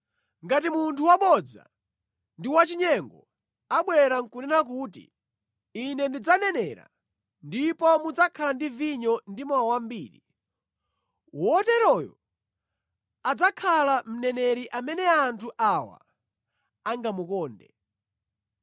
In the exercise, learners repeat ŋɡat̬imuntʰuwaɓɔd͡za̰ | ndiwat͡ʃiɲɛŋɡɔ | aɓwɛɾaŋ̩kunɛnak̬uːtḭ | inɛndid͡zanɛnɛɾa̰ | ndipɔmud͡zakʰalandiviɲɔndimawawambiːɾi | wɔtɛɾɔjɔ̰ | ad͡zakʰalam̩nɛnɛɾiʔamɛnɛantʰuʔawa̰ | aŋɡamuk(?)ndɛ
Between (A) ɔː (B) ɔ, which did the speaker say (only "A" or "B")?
A